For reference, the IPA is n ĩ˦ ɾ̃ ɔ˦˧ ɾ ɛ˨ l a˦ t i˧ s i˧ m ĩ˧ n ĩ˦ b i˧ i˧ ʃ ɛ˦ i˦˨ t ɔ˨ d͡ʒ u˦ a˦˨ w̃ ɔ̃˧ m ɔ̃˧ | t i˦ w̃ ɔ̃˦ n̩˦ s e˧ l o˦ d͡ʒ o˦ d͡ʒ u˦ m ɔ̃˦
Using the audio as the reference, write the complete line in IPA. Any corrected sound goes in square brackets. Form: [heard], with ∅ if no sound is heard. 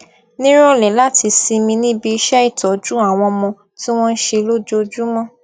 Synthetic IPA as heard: n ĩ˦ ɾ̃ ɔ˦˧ [l] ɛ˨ l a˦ t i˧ s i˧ m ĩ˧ n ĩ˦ b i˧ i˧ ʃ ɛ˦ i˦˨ t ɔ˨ d͡ʒ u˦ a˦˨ w̃ ɔ̃˧ m ɔ̃˧ | t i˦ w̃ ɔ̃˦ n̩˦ [ʃ] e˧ l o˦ d͡ʒ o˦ d͡ʒ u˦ m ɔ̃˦